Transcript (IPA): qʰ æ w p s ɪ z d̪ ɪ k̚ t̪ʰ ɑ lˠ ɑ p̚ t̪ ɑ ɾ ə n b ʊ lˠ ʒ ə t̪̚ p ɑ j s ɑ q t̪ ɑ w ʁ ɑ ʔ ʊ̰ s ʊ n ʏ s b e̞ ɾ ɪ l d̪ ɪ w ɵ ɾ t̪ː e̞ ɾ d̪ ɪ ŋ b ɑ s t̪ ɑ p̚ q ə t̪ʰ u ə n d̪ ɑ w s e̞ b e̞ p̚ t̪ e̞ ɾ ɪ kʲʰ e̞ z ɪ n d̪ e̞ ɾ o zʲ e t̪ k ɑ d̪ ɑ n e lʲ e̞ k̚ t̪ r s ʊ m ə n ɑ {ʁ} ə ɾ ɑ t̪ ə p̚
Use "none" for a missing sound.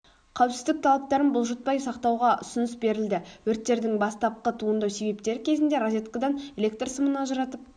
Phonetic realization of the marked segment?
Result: ʒ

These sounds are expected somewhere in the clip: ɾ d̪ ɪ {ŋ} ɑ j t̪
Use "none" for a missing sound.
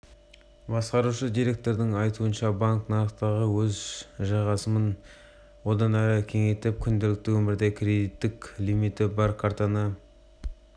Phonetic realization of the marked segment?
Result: ŋ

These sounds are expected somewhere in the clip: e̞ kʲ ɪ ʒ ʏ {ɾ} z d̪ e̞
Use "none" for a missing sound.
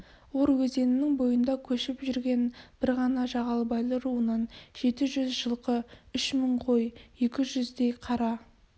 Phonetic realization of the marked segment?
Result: none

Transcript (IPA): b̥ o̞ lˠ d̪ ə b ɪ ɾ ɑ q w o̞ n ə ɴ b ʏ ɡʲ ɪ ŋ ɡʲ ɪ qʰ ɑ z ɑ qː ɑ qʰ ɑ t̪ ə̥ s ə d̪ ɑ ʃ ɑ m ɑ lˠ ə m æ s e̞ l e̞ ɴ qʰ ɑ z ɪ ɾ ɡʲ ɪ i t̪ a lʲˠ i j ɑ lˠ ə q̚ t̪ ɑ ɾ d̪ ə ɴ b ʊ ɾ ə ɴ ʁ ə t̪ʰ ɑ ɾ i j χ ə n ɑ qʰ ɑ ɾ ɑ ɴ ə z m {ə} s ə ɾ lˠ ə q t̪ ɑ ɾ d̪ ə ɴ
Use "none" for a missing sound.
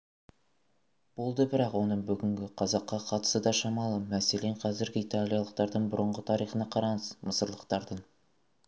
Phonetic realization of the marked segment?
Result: ə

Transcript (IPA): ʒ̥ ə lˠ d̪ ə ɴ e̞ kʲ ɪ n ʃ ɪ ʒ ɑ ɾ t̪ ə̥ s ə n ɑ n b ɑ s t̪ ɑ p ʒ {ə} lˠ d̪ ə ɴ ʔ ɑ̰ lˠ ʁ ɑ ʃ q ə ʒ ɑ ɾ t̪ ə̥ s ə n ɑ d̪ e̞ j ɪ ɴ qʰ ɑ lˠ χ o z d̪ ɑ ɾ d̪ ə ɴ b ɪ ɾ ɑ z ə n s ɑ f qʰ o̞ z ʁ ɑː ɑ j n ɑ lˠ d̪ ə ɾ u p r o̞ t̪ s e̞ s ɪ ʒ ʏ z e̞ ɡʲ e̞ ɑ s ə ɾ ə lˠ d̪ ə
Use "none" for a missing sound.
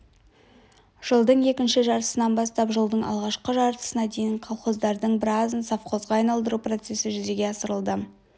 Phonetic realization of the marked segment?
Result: ə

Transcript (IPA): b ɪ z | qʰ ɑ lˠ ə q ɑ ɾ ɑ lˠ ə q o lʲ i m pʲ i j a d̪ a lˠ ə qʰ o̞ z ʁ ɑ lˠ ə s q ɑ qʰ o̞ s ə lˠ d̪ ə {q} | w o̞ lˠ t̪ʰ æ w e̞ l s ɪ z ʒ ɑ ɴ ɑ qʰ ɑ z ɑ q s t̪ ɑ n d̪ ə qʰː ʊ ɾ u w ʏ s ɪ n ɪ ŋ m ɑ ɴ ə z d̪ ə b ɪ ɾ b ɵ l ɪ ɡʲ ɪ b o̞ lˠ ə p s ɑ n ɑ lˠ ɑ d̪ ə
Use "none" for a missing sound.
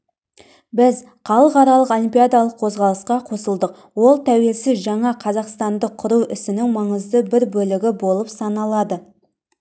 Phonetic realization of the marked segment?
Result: q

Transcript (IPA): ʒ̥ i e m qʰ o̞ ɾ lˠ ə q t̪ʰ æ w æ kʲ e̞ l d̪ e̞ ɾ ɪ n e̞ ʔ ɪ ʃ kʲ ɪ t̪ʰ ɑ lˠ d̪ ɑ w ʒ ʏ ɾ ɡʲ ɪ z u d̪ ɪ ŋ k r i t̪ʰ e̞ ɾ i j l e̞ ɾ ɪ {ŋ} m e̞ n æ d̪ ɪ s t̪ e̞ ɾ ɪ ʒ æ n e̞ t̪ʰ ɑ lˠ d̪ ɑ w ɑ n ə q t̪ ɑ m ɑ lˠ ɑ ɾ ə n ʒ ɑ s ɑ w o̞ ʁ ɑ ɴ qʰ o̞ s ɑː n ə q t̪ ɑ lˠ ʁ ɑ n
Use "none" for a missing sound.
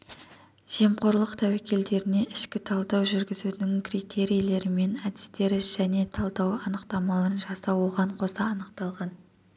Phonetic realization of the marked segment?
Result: none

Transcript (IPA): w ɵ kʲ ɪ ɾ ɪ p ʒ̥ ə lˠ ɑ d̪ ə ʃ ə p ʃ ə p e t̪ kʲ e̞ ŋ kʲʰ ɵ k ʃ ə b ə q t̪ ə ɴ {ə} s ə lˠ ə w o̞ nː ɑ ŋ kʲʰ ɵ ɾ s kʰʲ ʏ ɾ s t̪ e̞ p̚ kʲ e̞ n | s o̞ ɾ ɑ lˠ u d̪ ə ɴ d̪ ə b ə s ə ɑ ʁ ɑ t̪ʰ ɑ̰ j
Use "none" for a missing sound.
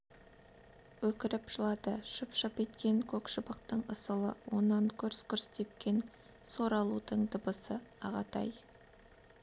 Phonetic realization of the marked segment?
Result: ə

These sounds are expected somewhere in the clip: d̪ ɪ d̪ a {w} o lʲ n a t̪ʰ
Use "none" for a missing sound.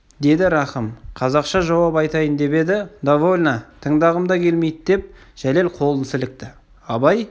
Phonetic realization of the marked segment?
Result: v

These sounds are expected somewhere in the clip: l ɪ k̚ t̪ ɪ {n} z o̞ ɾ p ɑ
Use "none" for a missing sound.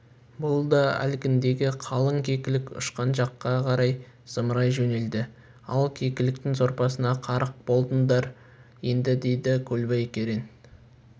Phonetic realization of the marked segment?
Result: ŋ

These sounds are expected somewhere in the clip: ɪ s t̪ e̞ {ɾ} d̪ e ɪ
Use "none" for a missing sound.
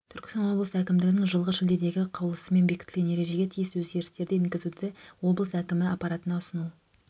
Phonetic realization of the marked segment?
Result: ɾ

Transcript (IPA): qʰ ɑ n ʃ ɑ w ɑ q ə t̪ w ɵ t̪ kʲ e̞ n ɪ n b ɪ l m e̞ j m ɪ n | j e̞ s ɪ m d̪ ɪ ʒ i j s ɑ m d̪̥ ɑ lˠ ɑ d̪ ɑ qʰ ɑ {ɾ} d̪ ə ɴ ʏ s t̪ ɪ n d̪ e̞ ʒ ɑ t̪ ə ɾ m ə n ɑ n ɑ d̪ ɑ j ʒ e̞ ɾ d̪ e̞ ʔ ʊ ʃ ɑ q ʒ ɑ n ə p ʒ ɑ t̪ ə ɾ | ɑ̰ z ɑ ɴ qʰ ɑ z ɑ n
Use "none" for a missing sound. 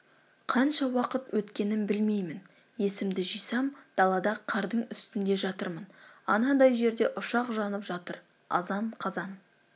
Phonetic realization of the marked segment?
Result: ɾ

